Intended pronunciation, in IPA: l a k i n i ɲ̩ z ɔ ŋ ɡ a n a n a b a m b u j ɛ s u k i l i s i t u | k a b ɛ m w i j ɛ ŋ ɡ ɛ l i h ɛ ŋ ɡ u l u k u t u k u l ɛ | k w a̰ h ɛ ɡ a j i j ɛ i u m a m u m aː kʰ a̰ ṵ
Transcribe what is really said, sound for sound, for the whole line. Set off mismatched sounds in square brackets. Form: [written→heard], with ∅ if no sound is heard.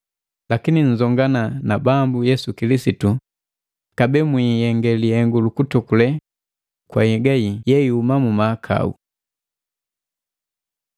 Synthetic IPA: l a k i n i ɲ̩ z ɔ ŋ ɡ a n a n a b a m b u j ɛ s u k i l i s i t u | k a b ɛ m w i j ɛ ŋ ɡ ɛ l i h ɛ ŋ ɡ u l u k u t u k u l ɛ | k w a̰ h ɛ ɡ a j i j ɛ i u m a m u m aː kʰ a̰ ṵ